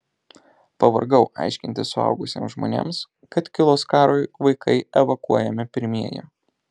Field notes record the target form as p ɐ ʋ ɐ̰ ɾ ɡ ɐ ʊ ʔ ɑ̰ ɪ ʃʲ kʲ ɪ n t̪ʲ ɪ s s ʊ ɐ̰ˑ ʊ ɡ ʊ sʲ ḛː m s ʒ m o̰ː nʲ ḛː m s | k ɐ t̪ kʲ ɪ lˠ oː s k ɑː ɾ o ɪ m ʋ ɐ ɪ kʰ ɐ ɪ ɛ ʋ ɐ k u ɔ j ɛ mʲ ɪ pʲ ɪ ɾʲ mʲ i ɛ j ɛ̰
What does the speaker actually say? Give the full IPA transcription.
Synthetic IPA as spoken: p ɐ ʋ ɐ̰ ɾ ɡ ɐ ʊ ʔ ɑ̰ ɪ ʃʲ kʲ ɪ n t̪ʲ ɪ s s ʊ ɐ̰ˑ ʊ ɡ ʊ sʲ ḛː m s ʒ m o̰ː nʲ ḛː m s | k ɐ t̪ kʲ ɪ lˠ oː s k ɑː ɾ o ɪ ʋ ɐ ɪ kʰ ɐ ɪ ɛ ʋ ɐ k u ɔ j ɛ mʲ ɪ pʲ ɪ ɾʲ mʲ i ɛ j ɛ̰